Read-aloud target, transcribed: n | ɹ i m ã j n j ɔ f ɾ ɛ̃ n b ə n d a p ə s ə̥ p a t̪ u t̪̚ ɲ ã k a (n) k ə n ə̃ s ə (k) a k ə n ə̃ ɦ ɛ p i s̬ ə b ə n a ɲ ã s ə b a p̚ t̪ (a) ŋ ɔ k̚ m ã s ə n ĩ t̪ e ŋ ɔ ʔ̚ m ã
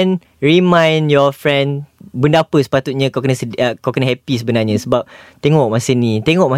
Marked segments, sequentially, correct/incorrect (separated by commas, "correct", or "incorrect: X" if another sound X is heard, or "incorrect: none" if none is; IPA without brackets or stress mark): incorrect: none, correct, incorrect: e